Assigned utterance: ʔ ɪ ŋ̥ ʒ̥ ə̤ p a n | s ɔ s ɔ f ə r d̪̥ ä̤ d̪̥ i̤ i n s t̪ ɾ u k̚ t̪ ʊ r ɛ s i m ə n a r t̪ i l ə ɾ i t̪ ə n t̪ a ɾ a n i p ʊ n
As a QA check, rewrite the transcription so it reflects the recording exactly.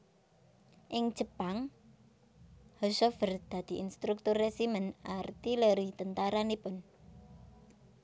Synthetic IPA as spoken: ʔ ɪ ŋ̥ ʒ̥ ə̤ p a ŋ | h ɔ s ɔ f ə r d̪̥ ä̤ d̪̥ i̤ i n s t̪ ɾ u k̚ t̪ ʊ r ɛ s i m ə n a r t̪ i l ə ɾ i t̪ ə n t̪ a ɾ a n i p ʊ n